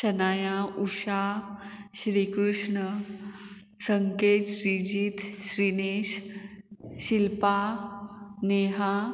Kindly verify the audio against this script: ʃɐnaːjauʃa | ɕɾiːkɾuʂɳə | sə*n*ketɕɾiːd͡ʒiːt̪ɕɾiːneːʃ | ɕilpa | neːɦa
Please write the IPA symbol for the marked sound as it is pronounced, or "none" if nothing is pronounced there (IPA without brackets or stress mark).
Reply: ŋ